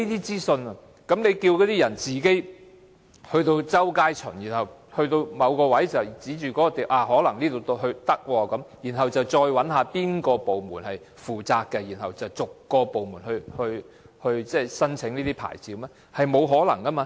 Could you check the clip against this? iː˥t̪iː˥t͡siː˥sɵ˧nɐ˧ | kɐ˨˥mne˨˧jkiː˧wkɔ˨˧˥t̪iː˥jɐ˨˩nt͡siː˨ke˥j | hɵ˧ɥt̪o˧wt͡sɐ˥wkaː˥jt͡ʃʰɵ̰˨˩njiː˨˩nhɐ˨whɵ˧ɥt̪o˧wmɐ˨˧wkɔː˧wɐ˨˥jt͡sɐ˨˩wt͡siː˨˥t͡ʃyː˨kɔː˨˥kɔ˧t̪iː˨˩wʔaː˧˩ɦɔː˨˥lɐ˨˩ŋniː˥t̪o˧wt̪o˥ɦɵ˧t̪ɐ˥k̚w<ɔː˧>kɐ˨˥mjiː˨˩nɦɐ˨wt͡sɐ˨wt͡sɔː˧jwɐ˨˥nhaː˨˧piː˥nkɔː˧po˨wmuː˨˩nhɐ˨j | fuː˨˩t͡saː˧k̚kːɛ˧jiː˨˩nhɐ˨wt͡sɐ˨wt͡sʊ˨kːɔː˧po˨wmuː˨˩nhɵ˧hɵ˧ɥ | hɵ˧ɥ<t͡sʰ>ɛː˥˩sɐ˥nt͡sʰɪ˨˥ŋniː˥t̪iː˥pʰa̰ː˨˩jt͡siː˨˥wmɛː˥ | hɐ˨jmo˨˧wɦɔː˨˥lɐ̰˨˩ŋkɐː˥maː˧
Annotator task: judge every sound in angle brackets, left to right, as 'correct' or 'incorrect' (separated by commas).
correct, incorrect